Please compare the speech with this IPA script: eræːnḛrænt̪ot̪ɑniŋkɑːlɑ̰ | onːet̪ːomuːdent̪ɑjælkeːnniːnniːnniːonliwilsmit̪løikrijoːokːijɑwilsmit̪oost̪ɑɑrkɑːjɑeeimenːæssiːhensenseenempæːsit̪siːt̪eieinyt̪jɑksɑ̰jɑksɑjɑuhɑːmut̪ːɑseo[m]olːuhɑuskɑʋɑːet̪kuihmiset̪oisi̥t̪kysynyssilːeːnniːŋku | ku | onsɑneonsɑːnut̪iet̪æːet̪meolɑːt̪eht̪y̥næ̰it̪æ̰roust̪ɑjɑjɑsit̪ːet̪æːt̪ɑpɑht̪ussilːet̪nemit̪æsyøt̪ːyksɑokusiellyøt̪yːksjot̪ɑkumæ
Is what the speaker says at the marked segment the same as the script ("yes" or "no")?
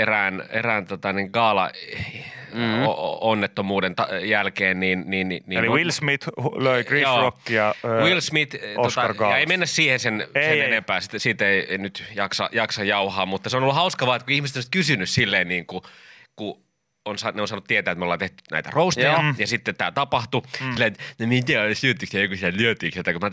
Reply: no